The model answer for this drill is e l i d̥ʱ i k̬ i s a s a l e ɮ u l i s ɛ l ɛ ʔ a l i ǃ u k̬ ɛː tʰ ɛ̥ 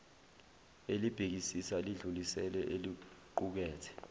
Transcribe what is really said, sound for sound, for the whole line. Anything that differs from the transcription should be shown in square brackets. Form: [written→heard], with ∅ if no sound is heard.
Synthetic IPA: e l i [d̥ʱ→b̥ʱ] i k̬ i s [a→i] s a l [e→i] ɮ u l i s ɛ l ɛ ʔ [a→e] l i ǃ u k̬ ɛː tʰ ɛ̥